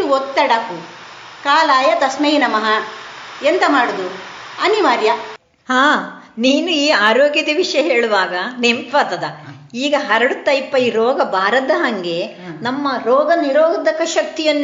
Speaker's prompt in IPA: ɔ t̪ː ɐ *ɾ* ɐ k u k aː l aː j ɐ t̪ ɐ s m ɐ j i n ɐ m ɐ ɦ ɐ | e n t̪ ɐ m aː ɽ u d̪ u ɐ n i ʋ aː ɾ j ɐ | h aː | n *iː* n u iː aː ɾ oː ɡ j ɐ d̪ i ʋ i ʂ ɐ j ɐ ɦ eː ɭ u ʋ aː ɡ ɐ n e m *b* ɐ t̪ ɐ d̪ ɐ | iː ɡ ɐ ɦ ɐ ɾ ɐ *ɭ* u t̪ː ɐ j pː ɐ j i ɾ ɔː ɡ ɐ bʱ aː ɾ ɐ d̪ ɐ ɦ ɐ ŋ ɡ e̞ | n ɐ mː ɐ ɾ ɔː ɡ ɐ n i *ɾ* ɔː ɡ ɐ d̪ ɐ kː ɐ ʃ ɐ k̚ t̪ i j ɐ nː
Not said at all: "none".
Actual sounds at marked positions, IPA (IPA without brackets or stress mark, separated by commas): ɽ, iː, p, ɽ, ɾ